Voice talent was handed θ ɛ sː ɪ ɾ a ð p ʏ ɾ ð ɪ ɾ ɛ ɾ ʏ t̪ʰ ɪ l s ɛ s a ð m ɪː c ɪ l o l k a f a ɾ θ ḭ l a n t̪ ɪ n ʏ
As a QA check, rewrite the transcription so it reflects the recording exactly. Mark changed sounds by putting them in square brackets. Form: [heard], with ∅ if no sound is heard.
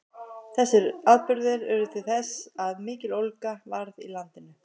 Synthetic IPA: θ ɛ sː ɪ ɾ a ð p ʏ ɾ ð ɪ ɾ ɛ ɾ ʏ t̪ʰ ɪ l [θ] ɛ s a ð m ɪː c ɪ l o l k a [v] a ɾ [ð] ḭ l a n t̪ ɪ n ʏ